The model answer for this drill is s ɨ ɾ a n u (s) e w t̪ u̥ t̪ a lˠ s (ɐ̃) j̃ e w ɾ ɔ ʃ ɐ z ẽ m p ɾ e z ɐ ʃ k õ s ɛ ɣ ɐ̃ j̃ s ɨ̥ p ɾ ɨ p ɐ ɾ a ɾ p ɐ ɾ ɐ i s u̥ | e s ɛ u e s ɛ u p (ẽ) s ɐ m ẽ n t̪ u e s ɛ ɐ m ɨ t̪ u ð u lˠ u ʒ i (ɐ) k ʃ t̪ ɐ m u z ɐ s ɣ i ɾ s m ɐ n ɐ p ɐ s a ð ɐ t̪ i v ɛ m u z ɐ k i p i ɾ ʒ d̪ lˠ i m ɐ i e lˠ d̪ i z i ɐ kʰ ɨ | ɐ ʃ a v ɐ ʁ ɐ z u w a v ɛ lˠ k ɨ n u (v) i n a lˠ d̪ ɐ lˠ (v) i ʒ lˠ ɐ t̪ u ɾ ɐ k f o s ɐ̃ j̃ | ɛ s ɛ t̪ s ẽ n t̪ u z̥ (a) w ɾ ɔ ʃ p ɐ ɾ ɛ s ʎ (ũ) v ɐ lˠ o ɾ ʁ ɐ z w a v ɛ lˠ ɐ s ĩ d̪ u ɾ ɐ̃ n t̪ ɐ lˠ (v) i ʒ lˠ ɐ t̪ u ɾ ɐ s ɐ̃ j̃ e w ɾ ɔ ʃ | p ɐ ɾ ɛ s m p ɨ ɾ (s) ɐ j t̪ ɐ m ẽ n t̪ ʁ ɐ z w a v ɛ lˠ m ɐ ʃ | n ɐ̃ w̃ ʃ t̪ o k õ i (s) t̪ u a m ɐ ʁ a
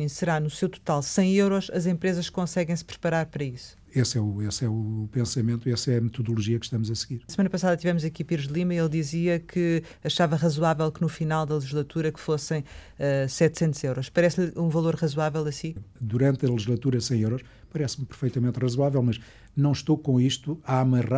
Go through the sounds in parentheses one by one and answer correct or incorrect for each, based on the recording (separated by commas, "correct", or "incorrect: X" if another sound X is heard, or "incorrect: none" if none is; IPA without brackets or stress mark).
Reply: correct, correct, correct, correct, incorrect: f, incorrect: ʒ, incorrect: e, correct, incorrect: ʒ, incorrect: f, incorrect: ʃ